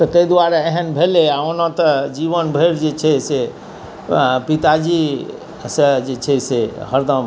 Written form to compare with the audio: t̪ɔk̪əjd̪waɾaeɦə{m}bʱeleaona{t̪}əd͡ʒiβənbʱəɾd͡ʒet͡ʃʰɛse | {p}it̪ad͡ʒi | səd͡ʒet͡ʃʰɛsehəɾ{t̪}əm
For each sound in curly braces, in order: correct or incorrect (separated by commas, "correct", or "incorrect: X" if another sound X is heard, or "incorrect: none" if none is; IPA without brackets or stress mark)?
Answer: incorrect: n, correct, correct, incorrect: d̪